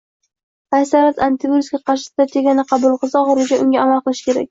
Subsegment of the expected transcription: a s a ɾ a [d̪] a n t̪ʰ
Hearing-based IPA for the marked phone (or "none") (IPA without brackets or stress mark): t̪